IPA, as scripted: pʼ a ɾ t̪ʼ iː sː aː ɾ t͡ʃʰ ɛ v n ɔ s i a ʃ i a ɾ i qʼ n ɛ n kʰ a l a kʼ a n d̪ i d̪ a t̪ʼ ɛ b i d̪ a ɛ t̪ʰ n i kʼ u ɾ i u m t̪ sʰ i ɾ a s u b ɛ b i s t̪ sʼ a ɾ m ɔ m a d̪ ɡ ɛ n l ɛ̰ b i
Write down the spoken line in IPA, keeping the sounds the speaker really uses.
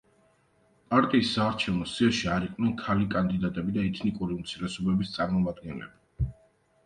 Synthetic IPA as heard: pʼ a ɾ t̪ʼ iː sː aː ɾ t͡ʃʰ ɛ v n ɔ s i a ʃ i a ɾ i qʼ n ɛ n kʰ a l i kʼ a n d̪ i d̪ a t̪ʼ ɛ b i d̪ a ɛ t̪ʰ n i kʼ u ɾ i u m t̪ sʰ i ɾ ɛ s ɔ b ɛ b i s t̪ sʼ a ɾ m ɔ m a d̪ ɡ ɛ n l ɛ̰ b i